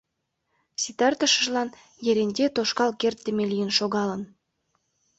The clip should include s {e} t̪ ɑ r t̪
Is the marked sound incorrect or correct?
incorrect: i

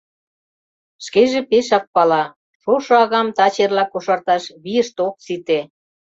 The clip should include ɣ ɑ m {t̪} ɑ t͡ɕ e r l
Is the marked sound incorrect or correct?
correct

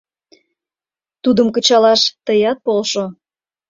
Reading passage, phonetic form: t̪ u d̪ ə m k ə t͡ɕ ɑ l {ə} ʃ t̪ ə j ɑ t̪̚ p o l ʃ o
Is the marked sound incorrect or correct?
incorrect: ɑ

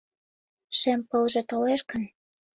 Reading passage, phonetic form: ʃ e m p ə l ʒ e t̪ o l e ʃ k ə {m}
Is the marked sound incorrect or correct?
incorrect: n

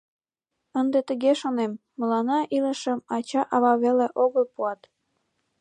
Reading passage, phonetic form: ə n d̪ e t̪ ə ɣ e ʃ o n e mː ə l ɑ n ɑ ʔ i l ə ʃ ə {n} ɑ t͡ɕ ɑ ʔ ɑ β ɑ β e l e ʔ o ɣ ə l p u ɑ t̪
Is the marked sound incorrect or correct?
incorrect: m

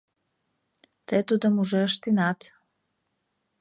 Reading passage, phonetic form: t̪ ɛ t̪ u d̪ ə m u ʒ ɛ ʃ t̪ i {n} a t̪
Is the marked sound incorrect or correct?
correct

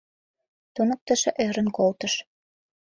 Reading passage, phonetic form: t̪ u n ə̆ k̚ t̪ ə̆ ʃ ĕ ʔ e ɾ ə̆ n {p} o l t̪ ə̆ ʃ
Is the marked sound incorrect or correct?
incorrect: k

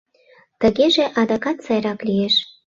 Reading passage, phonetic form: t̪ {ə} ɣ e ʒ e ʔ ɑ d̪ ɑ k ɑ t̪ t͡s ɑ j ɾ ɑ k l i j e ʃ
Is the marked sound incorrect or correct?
correct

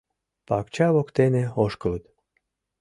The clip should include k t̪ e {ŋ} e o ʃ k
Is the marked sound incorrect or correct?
incorrect: n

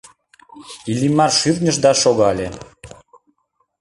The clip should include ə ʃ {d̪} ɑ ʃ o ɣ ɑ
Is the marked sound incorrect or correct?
correct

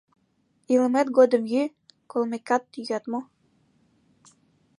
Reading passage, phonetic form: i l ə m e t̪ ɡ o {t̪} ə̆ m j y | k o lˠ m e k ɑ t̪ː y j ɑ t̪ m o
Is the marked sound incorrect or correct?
incorrect: d̪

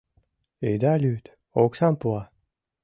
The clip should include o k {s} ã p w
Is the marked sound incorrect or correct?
correct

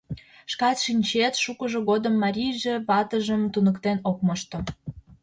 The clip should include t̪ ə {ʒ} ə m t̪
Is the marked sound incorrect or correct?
correct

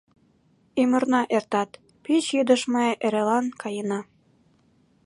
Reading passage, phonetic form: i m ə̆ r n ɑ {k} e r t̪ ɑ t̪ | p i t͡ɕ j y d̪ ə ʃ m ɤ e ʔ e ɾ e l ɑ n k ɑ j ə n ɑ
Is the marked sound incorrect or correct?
incorrect: ʔ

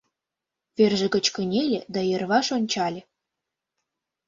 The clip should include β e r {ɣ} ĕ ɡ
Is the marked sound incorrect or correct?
incorrect: ʒ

